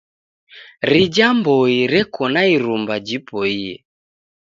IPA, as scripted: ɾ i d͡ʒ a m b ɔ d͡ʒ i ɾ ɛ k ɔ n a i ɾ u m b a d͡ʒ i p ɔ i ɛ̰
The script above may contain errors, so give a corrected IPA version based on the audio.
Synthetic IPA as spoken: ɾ i d͡ʒ a m b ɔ i ɾ ɛ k ɔ n a i ɾ u m b a d͡ʒ i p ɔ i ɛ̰